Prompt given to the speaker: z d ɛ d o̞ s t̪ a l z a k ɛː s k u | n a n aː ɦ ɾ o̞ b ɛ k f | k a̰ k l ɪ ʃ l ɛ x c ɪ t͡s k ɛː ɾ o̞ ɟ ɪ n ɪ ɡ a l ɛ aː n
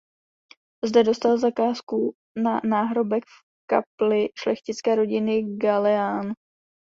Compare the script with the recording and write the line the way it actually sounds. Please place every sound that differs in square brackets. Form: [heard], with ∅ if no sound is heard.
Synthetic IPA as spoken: z d ɛ d o̞ s t̪ a l z a k [aː] s k u | n a n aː ɦ ɾ o̞ b ɛ k f | k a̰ [p] l ɪ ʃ l ɛ x c ɪ t͡s k ɛː ɾ o̞ ɟ ɪ n ɪ ɡ a l ɛ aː n